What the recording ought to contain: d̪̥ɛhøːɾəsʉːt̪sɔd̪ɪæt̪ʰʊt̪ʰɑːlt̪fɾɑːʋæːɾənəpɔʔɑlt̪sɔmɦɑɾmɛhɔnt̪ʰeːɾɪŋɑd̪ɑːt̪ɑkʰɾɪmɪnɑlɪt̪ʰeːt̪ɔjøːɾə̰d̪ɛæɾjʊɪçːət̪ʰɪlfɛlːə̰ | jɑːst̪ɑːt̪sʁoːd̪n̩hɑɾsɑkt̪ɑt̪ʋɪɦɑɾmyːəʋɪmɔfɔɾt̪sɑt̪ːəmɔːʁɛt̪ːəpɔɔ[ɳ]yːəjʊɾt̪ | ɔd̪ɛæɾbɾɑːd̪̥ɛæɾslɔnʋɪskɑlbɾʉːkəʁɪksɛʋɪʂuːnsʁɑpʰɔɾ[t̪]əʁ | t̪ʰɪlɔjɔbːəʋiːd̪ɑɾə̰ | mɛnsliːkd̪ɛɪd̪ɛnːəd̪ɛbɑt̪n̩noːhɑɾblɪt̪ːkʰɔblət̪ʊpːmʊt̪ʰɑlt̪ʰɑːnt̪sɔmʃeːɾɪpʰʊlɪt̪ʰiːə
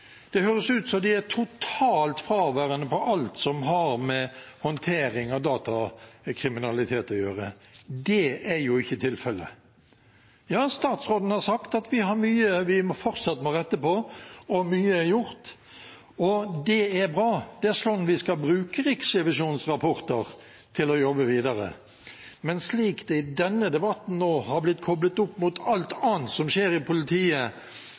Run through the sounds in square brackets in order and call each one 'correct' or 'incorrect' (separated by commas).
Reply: incorrect, correct